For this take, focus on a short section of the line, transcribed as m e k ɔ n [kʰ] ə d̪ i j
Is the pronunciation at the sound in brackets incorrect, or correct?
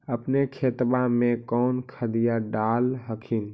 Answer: correct